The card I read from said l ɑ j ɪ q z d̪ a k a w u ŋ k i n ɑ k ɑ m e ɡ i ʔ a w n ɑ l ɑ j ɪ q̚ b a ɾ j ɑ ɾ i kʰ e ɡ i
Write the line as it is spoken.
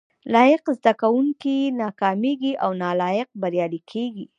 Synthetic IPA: l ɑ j ɪ q z d̪ a k a w u ŋ k i n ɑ k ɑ m e ɡ i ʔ a w n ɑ l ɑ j ɪ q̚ b a ɾ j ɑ l i kʰ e ɡ i